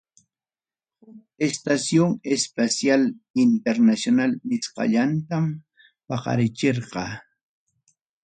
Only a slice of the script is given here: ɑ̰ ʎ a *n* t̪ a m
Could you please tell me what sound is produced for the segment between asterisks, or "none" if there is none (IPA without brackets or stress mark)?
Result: n